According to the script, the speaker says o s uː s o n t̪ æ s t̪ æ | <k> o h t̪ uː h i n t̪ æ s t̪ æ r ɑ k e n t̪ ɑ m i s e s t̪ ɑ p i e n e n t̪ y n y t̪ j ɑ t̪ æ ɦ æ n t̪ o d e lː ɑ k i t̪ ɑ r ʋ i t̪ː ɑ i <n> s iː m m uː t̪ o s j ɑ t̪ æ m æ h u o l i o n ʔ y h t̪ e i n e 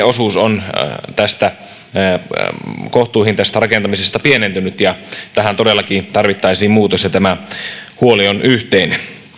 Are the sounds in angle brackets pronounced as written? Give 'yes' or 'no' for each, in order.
yes, no

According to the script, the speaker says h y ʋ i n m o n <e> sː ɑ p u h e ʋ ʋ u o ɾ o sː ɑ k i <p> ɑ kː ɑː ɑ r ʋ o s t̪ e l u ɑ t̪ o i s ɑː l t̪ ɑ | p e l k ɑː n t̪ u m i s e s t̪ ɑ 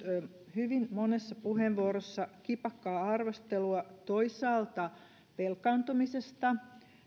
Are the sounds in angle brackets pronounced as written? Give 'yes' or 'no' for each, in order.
yes, yes

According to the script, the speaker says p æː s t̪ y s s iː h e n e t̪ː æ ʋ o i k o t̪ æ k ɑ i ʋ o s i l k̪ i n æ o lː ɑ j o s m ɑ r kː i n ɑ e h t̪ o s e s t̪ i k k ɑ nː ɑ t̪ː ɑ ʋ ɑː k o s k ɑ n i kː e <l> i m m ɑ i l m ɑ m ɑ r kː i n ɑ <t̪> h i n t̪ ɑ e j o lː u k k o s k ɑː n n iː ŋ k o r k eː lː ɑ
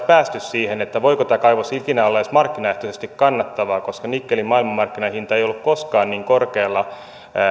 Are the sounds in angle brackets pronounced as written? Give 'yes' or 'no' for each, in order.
yes, no

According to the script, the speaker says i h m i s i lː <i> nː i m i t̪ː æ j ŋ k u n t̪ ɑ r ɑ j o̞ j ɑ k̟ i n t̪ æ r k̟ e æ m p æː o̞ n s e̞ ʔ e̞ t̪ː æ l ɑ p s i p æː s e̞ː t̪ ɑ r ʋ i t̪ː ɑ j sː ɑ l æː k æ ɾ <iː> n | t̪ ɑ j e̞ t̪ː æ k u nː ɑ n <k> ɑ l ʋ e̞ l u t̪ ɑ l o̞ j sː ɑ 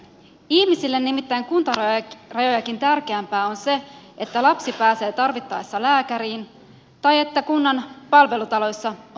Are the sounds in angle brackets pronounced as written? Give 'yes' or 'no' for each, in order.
no, yes, no

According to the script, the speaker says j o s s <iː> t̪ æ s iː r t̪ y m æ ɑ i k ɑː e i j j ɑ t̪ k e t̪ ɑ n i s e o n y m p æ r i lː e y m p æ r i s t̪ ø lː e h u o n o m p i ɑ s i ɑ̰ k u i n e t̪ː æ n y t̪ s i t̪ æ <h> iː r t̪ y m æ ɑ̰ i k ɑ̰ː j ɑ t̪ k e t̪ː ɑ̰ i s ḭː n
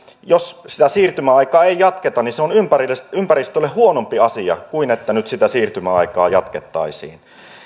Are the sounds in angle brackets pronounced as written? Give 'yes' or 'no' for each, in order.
no, no

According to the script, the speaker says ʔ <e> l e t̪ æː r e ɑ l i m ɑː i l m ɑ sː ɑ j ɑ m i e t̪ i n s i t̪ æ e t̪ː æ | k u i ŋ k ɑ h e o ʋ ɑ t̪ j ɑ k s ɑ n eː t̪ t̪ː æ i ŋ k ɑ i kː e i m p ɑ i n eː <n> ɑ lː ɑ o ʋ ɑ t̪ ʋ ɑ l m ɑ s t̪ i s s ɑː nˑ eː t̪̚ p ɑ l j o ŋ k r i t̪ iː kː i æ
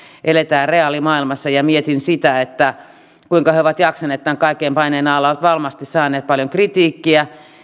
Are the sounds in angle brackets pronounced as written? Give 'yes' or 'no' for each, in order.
yes, yes

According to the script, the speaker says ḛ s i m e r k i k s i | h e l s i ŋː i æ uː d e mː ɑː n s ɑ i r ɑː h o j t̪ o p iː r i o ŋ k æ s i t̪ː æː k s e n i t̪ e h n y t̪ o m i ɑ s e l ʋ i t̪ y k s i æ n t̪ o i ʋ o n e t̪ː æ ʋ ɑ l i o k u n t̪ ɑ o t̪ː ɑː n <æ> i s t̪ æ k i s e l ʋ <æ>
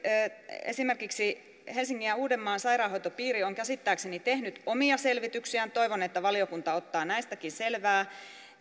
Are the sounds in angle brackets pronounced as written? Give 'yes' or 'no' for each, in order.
yes, no

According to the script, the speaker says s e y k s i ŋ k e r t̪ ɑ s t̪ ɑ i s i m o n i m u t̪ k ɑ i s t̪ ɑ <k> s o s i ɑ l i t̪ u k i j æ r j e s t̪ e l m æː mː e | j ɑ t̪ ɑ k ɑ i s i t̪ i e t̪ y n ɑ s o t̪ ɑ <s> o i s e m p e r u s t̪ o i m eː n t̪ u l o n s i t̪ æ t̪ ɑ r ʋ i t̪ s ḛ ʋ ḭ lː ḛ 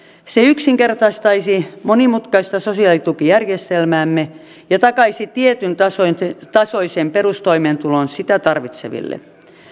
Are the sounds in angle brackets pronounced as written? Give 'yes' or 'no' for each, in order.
no, yes

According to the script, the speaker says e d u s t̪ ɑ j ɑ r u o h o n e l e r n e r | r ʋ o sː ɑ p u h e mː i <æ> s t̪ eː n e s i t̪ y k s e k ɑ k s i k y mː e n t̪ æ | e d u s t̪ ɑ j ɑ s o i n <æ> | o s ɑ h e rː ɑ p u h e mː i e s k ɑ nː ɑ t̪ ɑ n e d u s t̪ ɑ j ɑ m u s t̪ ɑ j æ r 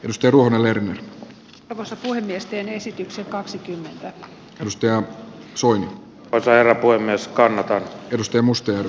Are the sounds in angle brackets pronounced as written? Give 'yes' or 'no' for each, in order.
no, no

